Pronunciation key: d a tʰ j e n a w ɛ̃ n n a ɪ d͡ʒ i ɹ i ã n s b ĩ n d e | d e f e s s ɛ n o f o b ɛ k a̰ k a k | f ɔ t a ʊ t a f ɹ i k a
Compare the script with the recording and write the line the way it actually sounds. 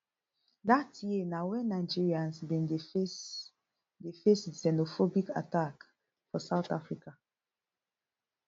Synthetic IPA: d a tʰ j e n a w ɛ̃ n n a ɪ d͡ʒ i ɹ i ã n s b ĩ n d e | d e f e s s ɛ n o f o b i k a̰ t a k | f ɔ s a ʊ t a f ɹ i k a